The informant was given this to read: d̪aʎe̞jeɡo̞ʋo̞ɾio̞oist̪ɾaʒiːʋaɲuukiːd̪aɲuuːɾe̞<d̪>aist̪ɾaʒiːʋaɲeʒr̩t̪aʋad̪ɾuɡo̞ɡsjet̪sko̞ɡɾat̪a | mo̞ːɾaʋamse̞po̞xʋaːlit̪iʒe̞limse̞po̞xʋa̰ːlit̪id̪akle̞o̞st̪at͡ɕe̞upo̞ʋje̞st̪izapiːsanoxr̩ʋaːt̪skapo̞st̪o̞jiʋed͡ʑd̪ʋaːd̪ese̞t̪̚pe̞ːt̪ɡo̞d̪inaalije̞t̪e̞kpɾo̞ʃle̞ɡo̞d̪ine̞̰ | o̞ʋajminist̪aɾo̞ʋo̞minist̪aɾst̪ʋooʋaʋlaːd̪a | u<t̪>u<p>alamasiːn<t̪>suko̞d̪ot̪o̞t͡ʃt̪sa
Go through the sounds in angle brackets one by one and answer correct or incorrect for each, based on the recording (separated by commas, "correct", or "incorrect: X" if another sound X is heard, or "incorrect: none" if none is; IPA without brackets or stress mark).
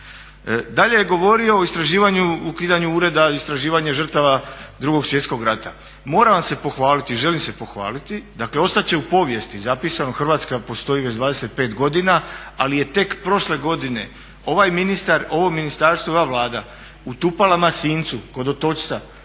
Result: correct, correct, correct, correct